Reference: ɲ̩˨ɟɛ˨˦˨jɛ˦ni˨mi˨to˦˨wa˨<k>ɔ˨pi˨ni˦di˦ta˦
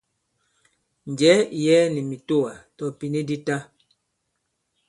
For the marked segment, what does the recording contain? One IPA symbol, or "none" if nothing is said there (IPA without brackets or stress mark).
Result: t